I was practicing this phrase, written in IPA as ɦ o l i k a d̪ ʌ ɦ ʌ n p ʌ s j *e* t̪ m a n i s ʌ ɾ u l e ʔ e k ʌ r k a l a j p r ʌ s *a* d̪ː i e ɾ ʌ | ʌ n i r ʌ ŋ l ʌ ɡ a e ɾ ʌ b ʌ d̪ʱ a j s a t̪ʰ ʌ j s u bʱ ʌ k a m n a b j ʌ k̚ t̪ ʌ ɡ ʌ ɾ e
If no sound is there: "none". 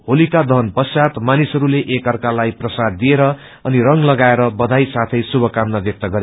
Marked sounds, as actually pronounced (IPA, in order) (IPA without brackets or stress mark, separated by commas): a, a